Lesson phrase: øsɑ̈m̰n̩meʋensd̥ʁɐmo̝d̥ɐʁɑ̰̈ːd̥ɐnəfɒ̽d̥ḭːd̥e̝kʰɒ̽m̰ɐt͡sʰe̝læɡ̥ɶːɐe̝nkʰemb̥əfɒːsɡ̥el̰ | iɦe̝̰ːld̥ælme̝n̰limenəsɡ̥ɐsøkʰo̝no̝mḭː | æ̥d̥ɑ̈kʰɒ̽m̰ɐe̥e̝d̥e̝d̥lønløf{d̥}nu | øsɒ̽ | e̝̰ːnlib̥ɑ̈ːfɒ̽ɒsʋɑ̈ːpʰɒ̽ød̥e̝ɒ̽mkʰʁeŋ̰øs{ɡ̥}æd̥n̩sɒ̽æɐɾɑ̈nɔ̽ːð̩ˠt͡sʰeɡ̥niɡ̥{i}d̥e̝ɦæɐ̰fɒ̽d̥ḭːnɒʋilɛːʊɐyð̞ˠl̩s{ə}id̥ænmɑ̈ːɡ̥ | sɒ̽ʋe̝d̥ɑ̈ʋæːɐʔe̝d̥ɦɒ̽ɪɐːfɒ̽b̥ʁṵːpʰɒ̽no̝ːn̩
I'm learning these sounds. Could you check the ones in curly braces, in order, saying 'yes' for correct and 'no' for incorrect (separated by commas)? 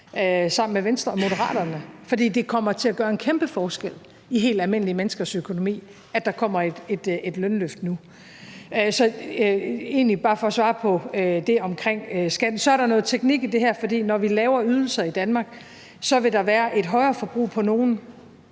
yes, yes, yes, no